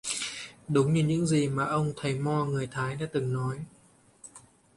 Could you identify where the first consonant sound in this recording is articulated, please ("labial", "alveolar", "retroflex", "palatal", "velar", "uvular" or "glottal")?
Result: alveolar